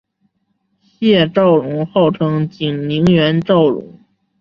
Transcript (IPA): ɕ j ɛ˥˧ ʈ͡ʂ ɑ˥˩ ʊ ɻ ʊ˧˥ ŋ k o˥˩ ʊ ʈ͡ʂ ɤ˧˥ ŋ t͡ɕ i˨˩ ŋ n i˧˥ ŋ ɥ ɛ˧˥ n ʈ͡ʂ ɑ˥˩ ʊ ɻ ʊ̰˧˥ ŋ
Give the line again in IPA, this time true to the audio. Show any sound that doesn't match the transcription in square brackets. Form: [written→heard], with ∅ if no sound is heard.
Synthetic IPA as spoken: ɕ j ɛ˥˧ ʈ͡ʂ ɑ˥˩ ʊ ɻ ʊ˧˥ ŋ [k→x] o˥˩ ʊ [ʈ͡ʂ→ʈ͡ʂʰ] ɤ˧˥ ŋ t͡ɕ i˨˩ ŋ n i˧˥ ŋ ɥ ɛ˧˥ n ʈ͡ʂ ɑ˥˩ ʊ ɻ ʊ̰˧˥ ŋ